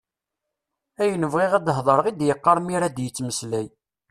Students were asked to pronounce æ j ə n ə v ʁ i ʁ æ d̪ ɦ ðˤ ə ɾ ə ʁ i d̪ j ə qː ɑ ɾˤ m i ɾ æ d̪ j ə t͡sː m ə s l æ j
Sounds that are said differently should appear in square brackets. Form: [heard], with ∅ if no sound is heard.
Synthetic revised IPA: æ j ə n ə v ʁ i ʁ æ d̪ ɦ ðˤ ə ɾ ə ʁ i d̪ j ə qː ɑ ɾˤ m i ɾ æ d̪ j ə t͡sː m ə s l æ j